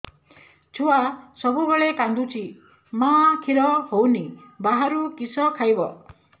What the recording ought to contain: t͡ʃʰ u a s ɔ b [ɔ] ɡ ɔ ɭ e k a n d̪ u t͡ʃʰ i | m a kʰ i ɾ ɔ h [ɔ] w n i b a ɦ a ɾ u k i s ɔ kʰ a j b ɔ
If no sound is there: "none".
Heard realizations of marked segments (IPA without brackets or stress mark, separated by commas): u, o